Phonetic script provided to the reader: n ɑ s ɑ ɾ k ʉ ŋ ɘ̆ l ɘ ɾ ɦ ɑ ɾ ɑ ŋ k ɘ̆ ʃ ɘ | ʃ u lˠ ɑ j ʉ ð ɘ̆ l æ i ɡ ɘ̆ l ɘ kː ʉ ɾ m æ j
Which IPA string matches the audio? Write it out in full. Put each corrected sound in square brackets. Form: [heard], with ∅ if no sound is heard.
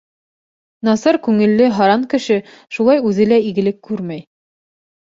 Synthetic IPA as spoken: n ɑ s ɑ ɾ k ʉ ŋ ɘ̆ [lː] ɘ [∅] ɦ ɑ ɾ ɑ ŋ k ɘ̆ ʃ ɘ | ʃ u lˠ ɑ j ʉ ð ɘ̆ l æ i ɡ ɘ̆ l ɘ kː ʉ ɾ m æ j